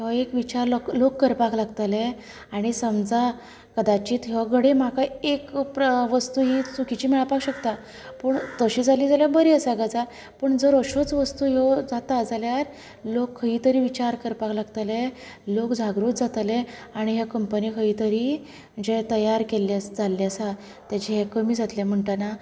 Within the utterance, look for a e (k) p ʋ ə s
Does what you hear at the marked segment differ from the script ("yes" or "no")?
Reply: no